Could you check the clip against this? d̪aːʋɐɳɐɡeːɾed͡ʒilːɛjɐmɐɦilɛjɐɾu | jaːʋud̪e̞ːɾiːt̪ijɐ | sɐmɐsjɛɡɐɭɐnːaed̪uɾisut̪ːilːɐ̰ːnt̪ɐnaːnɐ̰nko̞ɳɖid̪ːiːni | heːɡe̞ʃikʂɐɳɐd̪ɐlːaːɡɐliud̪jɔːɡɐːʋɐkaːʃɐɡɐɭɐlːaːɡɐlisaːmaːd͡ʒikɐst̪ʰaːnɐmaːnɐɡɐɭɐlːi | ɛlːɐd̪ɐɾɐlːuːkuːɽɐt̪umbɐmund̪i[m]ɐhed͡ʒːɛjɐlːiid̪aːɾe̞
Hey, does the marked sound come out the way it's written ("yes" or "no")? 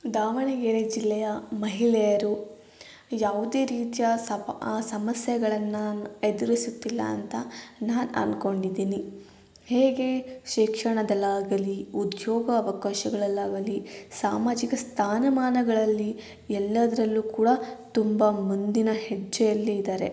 no